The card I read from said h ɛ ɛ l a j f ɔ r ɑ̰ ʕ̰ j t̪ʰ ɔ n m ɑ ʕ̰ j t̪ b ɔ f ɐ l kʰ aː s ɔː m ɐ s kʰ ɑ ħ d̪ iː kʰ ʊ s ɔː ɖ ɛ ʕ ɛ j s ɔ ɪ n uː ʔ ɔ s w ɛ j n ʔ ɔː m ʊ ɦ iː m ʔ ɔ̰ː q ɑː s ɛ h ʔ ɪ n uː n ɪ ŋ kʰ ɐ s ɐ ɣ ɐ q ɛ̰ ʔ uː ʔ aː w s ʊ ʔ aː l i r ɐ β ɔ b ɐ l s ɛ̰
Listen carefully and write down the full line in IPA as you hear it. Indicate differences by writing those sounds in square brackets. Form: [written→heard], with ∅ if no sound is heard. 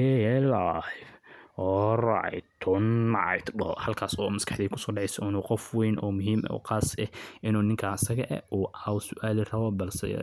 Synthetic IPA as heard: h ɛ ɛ l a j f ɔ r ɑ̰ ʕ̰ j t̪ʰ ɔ n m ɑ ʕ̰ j t̪ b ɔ [f→h] ɐ l kʰ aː s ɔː m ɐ s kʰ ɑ ħ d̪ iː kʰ ʊ s ɔː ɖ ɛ ʕ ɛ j s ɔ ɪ n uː [ʔ→q] ɔ [s→f] w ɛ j n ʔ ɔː m ʊ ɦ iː m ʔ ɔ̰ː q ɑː s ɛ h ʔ ɪ n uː n ɪ ŋ kʰ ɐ s ɐ ɣ ɐ [q→ʔ] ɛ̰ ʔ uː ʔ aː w s ʊ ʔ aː l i r ɐ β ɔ b ɐ l s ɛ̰

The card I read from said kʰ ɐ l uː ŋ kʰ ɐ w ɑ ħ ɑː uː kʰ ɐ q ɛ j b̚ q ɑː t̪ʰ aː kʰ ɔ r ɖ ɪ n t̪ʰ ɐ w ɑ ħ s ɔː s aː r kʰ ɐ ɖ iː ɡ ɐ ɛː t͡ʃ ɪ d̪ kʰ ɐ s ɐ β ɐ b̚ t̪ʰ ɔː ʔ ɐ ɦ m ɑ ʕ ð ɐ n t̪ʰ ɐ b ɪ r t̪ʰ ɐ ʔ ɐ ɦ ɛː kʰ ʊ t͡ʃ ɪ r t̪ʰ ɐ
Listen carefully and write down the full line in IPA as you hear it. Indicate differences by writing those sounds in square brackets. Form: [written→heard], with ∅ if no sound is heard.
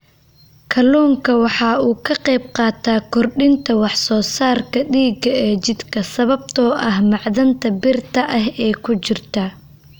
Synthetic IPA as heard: kʰ ɐ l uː ŋ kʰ ɐ w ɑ ħ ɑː uː kʰ ɐ q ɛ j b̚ q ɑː t̪ʰ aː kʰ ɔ r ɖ ɪ n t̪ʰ ɐ w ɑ ħ s ɔː s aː r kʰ ɐ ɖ iː ɡ ɐ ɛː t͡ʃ ɪ d̪ kʰ ɐ s ɐ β ɐ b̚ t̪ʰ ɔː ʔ ɐ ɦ m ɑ ʕ ð ɐ n t̪ʰ ɐ b ɪ r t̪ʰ ɐ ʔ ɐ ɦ ɛː kʰ ʊ t͡ʃ ɪ r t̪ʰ ɐ

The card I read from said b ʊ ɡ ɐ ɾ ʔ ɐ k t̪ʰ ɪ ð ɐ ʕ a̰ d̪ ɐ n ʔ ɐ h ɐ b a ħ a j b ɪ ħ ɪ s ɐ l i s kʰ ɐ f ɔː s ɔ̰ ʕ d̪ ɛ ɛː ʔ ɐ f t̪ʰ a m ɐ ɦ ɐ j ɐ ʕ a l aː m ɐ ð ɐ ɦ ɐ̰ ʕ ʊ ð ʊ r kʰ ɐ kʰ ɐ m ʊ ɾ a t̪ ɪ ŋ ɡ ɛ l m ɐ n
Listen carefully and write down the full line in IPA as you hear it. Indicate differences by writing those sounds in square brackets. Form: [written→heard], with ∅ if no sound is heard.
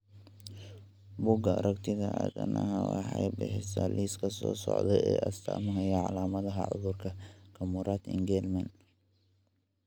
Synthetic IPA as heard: b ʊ ɡ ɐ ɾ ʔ ɐ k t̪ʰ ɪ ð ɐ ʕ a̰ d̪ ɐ n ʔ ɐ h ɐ [b→w] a ħ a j b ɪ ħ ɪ s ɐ l i s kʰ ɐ [f→s] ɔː s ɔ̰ ʕ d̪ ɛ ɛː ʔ ɐ [f→s] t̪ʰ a m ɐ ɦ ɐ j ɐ ʕ a l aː m ɐ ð ɐ ɦ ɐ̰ ʕ ʊ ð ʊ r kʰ ɐ kʰ ɐ m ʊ ɾ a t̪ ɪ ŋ ɡ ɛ l m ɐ n

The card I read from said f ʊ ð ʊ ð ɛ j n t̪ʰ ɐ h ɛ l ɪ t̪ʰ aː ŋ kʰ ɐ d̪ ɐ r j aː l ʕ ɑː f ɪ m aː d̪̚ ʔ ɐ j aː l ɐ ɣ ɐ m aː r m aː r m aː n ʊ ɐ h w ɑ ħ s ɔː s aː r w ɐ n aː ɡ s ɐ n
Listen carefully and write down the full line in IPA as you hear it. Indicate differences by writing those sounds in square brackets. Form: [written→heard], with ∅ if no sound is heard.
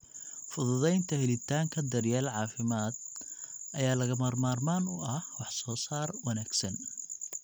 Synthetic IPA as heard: f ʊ ð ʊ ð ɛ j n t̪ʰ ɐ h ɛ l ɪ t̪ʰ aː ŋ kʰ ɐ d̪ ɐ r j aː l ʕ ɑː f ɪ m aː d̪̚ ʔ ɐ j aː l ɐ ɣ ɐ m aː r m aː r m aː n ʊ ɐ h w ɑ ħ s ɔː s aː r w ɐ n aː ɡ s ɐ n

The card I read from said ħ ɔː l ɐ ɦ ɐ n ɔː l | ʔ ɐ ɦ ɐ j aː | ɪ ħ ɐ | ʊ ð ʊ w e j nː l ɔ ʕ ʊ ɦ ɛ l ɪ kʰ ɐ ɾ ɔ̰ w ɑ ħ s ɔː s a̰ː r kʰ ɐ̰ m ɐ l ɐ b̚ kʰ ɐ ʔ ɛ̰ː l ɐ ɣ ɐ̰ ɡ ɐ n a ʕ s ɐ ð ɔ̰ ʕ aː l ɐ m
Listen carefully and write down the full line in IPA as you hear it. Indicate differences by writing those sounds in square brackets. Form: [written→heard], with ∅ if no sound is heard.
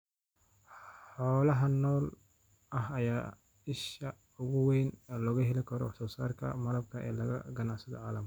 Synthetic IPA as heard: ħ ɔː l ɐ ɦ ɐ n ɔː l | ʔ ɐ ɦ ɐ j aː | ɪ [ħ→ʃ] ɐ | ʊ [ð→ɣ] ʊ w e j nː l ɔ [ʕ→ɣ] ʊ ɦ ɛ l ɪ kʰ ɐ ɾ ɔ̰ w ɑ ħ s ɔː s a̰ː r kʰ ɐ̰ m ɐ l ɐ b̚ kʰ ɐ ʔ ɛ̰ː l ɐ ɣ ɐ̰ ɡ ɐ n a ʕ s ɐ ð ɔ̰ ʕ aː l ɐ m

